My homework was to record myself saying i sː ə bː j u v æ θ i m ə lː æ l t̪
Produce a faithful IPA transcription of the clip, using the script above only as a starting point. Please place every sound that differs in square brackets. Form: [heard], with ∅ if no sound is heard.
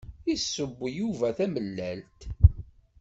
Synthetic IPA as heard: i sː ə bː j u v æ θ [æ] m ə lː æ l t̪

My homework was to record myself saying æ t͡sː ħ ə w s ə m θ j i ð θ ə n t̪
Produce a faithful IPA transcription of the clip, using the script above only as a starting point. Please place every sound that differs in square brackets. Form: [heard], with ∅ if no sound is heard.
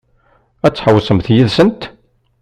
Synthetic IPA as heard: æ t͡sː ħ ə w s ə m θ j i ð [s] ə n t̪

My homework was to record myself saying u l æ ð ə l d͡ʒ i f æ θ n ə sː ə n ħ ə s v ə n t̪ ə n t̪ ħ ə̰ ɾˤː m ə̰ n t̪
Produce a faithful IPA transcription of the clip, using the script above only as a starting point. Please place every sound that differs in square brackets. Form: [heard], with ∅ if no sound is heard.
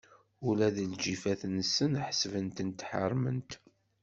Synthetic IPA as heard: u l æ ð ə l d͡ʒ i f æ θ n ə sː ə n ħ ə s v ə n t̪ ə n t̪ ħ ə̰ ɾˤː m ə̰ n t̪

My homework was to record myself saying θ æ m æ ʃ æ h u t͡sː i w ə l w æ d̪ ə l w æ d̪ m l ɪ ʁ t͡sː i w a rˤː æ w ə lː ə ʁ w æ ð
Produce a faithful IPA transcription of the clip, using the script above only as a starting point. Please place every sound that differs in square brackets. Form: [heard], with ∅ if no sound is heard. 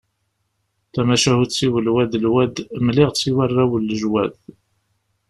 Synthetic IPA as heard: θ æ m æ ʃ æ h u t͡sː i w ə l w æ d̪ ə l w æ d̪ m l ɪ ʁ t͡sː i w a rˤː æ w ə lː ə [ʒ] w æ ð

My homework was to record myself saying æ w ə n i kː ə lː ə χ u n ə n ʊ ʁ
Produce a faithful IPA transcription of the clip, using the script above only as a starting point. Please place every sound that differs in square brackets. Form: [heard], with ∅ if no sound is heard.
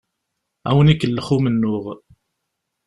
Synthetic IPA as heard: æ w ə n i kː ə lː ə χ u [m] ə [nː] ʊ ʁ

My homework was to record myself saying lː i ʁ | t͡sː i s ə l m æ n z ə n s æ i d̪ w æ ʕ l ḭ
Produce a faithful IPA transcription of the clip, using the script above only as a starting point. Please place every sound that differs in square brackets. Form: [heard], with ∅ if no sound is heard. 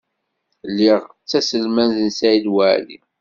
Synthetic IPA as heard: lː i ʁ | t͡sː [æ] s ə l m æ n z ə n s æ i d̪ w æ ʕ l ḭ

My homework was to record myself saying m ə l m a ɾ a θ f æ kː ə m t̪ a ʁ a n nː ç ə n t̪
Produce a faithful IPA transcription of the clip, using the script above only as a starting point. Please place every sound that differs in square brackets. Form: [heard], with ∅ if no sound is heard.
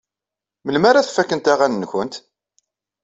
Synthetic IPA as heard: m ə l m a ɾ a θ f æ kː ə [n] t̪ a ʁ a n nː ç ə n t̪

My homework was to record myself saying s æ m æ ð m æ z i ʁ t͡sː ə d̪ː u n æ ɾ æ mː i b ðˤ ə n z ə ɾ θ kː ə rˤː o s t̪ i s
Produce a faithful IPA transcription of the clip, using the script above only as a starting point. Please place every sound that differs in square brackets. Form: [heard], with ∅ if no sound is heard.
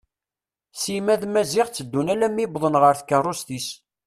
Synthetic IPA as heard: s [i] m æ ð m æ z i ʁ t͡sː ə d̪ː u n æ [l] æ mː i b ðˤ ə n [ʁ] ə ɾ θ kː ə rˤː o s t̪ i s

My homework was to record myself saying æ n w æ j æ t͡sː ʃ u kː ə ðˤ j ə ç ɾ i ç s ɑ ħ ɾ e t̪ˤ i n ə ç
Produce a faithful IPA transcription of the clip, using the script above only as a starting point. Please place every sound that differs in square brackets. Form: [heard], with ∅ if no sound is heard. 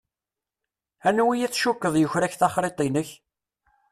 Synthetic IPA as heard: æ n w [i] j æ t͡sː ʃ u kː ə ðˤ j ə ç ɾ [æ] ç [θ] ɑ [χ] ɾ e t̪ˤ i n ə ç

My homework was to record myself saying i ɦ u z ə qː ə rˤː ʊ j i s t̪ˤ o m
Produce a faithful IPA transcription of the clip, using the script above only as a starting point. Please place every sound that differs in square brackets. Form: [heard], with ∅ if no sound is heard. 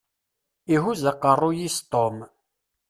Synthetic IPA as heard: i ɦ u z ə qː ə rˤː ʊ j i s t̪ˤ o m

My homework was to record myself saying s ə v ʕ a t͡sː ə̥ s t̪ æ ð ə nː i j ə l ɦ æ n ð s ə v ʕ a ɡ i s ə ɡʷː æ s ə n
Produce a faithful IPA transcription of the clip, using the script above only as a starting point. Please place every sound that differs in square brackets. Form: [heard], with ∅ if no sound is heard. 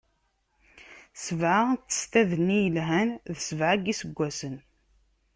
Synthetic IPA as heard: s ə v ʕ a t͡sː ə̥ s t̪ æ ð ə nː i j ə l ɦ æ n ð s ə v ʕ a ɡ i s ə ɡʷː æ s ə n

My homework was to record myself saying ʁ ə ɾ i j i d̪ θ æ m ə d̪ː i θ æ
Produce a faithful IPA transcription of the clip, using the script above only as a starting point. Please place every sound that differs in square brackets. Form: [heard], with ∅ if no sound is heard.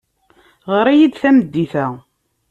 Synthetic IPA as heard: ʁ ə ɾ [æ] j i d̪ θ æ m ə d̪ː i θ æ

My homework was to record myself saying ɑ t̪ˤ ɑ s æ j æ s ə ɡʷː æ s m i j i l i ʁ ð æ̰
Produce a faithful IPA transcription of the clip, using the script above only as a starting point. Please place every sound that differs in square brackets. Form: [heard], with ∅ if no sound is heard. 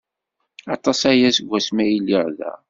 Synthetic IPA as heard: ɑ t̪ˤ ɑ s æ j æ s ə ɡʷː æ s m [æ] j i l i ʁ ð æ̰

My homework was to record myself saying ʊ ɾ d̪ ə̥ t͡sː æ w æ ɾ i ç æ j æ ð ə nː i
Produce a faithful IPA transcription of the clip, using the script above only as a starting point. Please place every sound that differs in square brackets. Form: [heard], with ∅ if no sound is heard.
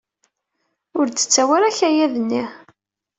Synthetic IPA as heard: ʊ ɾ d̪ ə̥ t͡sː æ w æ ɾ [æ] ç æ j æ ð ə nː i

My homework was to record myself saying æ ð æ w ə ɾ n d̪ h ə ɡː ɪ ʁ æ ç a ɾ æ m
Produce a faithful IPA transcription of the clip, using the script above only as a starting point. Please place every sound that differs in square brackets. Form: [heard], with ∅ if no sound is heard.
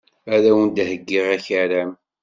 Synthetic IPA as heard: æ ð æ w ə [∅] n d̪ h ə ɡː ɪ ʁ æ ç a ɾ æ m

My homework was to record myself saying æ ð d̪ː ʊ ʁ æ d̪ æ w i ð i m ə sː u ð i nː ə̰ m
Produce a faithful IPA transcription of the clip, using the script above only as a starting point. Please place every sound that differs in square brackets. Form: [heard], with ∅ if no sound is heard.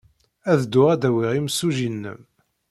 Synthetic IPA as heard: æ ð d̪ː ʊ ʁ æ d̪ æ w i [ʁ] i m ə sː u [ʒ] i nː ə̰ m

